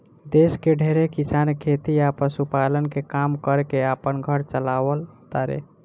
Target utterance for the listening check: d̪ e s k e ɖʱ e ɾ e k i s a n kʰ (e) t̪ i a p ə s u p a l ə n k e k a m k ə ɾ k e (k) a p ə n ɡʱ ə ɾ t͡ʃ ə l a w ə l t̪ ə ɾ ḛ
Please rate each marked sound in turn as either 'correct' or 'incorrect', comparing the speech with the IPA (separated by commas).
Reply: correct, incorrect